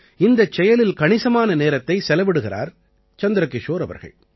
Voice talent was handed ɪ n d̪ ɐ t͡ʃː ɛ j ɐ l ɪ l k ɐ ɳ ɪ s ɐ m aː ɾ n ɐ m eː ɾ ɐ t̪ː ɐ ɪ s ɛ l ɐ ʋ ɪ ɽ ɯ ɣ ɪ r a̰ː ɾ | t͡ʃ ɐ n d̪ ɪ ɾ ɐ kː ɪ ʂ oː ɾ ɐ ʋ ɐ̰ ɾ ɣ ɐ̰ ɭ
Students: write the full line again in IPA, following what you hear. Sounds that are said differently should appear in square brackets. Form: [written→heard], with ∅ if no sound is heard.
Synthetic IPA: ɪ n d̪ ɐ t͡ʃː ɛ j ɐ l ɪ l k ɐ ɳ ɪ s ɐ m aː [ɾ→∅] n ɐ [m→n] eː ɾ ɐ t̪ː ɐ ɪ s ɛ l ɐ ʋ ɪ ɽ ɯ ɣ ɪ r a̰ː ɾ | t͡ʃ ɐ n d̪ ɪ ɾ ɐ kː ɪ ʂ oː ɾ ɐ ʋ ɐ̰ ɾ ɣ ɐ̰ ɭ